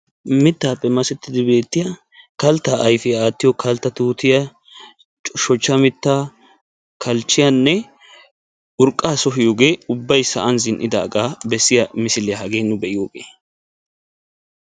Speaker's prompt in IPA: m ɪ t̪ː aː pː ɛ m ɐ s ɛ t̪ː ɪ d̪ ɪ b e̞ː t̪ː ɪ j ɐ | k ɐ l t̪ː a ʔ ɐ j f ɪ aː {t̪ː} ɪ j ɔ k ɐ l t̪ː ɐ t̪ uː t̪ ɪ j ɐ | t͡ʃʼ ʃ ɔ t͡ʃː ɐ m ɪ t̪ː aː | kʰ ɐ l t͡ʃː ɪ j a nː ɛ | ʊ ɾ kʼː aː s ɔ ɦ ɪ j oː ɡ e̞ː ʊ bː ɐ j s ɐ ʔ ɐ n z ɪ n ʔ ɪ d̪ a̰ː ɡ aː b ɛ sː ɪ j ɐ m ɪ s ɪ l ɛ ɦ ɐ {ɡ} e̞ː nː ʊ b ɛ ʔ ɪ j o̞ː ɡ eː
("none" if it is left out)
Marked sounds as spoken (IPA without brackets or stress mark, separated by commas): t̪ː, ɡ